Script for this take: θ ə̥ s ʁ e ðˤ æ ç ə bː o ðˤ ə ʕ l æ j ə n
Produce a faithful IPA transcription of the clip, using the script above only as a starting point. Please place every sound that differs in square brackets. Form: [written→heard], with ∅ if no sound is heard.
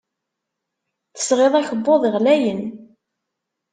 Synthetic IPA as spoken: θ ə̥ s ʁ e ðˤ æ ç ə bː o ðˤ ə [ʕ→ʁ] l æ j ə n